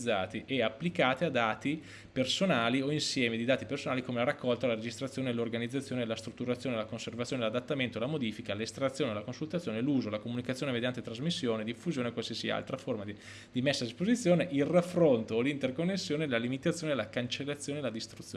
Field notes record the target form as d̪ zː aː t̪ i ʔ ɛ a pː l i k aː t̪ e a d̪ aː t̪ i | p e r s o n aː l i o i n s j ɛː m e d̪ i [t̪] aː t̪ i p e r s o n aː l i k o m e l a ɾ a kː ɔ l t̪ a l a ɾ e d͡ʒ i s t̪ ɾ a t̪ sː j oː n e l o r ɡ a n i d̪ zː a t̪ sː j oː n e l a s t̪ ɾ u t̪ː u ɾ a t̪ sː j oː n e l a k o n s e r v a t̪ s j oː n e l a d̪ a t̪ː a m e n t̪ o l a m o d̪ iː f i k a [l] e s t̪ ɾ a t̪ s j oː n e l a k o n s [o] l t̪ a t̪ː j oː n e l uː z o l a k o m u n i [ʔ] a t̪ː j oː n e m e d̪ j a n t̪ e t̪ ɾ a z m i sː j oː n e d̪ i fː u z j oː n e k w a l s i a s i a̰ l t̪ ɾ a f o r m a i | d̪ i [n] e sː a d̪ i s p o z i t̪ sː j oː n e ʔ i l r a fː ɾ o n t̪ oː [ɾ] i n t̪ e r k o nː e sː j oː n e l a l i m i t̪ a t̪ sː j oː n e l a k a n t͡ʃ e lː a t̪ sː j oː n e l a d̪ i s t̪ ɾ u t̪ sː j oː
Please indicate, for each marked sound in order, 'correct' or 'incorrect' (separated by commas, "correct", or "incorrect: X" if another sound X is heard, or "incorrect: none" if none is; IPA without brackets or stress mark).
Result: incorrect: d̪, correct, incorrect: u, incorrect: k, incorrect: m, incorrect: l